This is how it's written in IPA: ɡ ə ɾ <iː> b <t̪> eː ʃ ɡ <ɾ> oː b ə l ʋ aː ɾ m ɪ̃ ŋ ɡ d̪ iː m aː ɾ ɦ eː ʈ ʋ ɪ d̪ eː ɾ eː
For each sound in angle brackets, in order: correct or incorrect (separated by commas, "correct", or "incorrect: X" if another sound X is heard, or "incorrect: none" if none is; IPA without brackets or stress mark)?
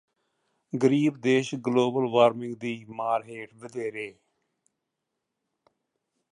correct, incorrect: d̪, incorrect: l